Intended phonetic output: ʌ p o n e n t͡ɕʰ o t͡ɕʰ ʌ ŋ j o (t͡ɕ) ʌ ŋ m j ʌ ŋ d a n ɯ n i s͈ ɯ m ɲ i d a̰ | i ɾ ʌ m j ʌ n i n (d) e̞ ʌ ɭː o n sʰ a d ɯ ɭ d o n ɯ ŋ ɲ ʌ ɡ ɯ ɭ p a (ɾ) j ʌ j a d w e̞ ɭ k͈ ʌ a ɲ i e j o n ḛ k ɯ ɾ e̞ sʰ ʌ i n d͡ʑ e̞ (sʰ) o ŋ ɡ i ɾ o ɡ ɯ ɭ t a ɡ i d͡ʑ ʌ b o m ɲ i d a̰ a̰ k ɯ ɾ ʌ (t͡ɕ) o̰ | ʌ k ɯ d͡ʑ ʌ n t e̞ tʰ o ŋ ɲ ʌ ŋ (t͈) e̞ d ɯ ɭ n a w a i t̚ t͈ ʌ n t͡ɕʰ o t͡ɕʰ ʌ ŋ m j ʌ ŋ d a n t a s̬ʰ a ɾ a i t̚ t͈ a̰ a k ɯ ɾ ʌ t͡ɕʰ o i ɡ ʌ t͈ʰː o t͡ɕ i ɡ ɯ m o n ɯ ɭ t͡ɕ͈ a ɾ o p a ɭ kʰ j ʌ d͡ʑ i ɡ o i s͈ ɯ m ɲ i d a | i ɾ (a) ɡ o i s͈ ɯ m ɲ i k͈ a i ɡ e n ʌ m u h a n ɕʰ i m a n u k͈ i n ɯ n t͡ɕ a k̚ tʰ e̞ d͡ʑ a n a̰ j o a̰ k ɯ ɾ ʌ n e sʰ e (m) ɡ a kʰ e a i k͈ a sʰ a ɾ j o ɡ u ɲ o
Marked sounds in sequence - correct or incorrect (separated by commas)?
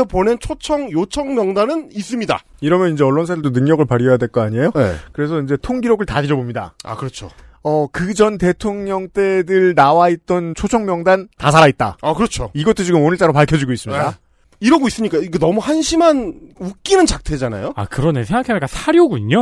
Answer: incorrect, incorrect, correct, incorrect, incorrect, correct, incorrect, incorrect